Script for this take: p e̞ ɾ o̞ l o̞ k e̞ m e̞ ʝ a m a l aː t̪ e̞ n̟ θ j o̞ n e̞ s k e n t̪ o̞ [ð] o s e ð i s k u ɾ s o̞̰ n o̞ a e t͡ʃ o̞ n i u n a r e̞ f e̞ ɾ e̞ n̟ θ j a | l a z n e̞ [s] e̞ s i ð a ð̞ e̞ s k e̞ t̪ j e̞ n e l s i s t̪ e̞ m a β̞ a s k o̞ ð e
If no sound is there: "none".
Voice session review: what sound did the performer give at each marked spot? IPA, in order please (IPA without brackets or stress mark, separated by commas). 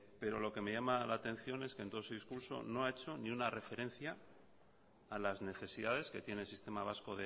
none, θ